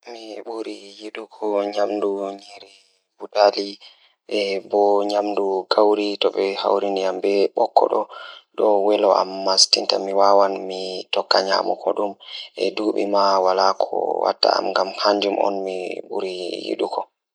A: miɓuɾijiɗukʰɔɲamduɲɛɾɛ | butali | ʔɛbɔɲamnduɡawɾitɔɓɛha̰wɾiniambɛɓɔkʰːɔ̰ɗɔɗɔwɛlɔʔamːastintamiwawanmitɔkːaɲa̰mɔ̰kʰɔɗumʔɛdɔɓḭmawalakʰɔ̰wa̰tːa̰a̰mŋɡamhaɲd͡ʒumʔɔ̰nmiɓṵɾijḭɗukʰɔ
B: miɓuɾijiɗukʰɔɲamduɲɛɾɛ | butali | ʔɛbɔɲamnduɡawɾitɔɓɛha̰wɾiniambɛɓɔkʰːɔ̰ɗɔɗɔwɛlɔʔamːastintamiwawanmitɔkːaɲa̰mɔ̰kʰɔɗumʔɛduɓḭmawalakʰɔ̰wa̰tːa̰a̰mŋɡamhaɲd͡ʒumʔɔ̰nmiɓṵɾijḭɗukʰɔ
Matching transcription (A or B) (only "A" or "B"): B